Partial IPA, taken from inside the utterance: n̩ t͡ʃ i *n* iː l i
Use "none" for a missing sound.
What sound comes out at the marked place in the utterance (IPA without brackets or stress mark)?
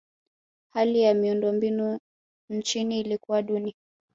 n